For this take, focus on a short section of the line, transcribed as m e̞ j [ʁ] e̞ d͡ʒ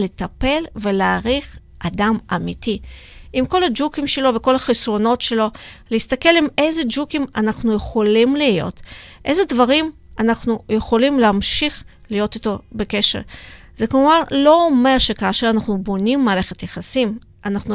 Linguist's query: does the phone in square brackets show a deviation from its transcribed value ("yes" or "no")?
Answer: yes